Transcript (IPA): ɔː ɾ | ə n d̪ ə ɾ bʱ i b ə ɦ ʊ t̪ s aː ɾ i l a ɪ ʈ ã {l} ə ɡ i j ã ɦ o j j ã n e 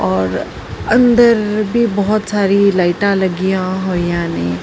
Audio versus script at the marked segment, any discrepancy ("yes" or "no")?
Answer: no